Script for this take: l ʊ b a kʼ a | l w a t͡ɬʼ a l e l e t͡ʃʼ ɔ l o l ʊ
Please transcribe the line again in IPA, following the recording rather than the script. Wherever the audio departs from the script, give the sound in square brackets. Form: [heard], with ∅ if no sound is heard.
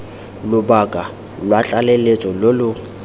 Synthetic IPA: l ʊ b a kʼ a | l w a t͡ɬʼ a l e l e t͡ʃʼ ɔ l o l ʊ